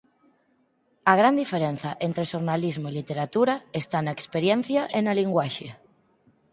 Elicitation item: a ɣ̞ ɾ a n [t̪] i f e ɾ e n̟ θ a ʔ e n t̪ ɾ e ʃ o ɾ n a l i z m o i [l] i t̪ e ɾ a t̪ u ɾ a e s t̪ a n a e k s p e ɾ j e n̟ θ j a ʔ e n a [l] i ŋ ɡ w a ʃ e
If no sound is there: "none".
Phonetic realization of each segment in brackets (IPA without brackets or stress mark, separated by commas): d̪, l, l